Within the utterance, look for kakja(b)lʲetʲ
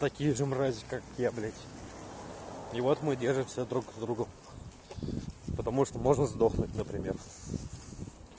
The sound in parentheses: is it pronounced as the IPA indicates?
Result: yes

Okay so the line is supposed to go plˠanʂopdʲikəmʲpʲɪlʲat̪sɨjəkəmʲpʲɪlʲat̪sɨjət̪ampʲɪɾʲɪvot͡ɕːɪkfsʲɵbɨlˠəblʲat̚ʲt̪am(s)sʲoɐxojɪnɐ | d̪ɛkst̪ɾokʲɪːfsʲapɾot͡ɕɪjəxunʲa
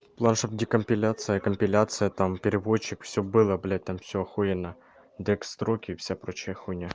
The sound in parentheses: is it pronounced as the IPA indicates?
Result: no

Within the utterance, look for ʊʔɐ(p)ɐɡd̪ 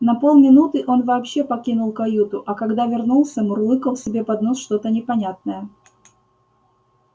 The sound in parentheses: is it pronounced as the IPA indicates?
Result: no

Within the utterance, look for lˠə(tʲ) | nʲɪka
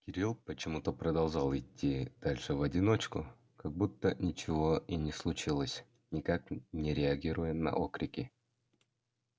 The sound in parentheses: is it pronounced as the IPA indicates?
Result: no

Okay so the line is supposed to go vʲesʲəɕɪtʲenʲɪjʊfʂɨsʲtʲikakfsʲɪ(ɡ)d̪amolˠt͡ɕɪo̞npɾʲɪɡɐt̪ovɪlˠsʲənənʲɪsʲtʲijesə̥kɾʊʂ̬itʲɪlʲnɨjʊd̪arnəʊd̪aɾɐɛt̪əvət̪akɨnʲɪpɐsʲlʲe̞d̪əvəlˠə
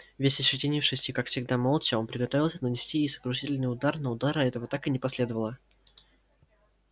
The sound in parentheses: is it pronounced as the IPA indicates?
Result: yes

